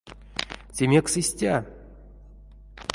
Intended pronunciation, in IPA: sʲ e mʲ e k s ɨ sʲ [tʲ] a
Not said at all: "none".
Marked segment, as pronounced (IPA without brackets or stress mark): tʲ